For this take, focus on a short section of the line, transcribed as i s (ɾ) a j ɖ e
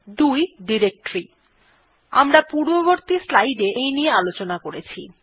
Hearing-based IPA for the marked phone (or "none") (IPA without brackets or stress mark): l